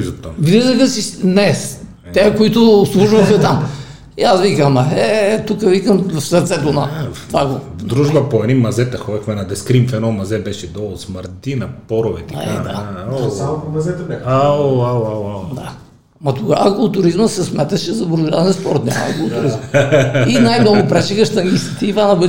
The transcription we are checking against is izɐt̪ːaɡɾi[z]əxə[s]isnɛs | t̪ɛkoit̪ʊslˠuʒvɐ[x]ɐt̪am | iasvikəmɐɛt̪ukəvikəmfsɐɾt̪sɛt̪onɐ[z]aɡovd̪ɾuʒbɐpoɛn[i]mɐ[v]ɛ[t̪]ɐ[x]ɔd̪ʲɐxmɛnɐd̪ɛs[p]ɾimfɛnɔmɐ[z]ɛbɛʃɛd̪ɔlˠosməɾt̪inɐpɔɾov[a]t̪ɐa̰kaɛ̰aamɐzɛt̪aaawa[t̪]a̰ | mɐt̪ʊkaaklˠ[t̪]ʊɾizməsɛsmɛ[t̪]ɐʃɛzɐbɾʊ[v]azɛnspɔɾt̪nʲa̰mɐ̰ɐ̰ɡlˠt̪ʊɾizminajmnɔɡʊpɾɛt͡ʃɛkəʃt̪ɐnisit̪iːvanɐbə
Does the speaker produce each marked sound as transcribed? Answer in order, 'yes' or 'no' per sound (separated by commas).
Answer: yes, yes, yes, no, yes, no, yes, yes, no, yes, no, no, yes, yes, no